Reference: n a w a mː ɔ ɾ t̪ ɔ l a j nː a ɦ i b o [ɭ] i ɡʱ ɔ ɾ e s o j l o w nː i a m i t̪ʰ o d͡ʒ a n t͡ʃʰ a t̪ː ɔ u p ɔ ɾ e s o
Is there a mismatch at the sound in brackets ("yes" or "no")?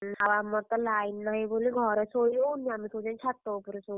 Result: yes